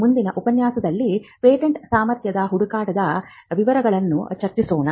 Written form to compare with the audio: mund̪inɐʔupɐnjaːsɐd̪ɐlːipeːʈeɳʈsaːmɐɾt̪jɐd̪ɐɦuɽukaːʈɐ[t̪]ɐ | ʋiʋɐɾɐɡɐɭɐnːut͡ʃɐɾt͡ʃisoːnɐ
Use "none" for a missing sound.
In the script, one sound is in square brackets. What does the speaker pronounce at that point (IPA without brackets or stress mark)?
d̪